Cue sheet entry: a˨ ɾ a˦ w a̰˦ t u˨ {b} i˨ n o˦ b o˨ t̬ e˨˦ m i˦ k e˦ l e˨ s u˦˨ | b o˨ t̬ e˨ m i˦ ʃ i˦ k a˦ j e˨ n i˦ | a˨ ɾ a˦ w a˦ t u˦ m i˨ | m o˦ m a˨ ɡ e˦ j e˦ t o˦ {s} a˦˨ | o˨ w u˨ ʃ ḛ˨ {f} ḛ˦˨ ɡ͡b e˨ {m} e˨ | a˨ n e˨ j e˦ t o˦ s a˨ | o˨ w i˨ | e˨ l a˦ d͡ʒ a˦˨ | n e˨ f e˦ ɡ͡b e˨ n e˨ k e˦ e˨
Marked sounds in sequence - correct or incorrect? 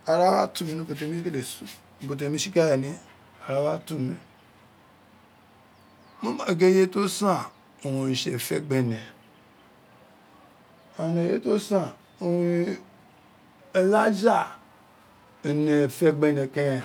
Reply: incorrect, correct, correct, incorrect

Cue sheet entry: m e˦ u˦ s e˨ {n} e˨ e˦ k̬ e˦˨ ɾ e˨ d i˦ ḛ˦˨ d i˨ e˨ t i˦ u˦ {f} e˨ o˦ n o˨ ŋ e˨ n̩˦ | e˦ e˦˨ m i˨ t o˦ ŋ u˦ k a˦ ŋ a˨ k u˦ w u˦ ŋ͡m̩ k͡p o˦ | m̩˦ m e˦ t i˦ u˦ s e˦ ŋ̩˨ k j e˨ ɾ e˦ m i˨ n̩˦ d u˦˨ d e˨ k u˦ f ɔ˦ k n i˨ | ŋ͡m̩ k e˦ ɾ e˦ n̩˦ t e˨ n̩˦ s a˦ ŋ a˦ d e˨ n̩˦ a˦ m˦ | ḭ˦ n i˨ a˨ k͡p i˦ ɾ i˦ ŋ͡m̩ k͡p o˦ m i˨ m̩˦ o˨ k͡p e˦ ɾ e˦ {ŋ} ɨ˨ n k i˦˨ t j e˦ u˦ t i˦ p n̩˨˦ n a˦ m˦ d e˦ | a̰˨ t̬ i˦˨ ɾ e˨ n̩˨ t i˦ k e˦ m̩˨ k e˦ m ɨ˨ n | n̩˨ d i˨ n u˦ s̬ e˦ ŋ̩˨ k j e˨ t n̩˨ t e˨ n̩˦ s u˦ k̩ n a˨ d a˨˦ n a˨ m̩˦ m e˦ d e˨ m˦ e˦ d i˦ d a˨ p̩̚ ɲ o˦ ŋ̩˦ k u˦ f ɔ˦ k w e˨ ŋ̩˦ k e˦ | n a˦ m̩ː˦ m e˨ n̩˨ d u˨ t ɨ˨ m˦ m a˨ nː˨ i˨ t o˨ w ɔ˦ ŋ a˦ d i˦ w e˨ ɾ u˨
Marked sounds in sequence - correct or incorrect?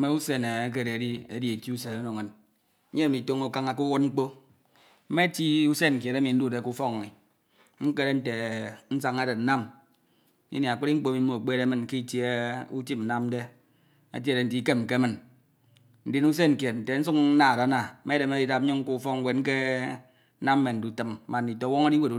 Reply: correct, incorrect, incorrect

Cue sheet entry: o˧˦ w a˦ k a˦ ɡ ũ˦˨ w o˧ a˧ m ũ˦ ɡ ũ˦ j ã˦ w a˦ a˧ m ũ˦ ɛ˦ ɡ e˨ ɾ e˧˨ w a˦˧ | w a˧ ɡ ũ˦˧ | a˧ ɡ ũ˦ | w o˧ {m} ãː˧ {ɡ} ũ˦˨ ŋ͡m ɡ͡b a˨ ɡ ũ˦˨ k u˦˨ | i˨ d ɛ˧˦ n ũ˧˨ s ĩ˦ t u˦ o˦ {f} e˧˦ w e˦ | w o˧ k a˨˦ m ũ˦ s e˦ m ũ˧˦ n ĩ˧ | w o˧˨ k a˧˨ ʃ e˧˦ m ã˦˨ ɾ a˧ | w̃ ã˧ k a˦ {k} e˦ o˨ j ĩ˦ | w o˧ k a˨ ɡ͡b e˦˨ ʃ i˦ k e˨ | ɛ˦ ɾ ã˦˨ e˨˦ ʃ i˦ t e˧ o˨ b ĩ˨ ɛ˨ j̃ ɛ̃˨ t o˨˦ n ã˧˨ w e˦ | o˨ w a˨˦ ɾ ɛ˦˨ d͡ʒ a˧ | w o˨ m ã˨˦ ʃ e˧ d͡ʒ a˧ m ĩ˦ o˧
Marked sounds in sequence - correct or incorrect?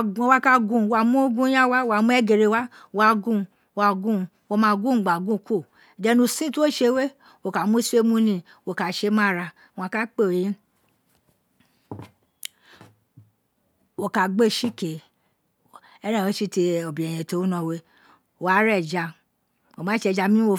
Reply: correct, correct, incorrect, incorrect

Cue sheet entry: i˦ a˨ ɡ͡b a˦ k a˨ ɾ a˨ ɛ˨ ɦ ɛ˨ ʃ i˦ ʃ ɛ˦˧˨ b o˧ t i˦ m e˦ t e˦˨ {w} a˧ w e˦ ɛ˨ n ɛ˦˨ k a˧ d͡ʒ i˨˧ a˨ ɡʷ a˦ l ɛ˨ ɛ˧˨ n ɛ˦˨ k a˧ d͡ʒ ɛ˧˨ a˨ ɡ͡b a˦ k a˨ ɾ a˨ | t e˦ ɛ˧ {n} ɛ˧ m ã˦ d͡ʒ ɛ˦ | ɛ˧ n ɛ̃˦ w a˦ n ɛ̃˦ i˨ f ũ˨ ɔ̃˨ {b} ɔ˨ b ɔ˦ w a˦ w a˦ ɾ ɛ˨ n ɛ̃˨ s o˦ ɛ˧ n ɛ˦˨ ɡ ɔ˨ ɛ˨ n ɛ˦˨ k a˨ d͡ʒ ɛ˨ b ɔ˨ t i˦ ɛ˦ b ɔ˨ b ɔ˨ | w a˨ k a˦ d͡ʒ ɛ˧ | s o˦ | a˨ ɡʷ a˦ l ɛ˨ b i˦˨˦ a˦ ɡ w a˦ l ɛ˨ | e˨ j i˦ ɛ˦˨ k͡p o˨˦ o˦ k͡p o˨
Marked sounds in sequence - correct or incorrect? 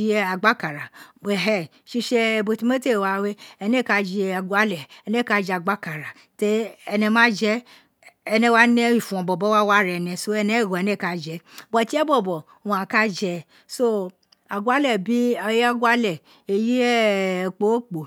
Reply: correct, correct, correct

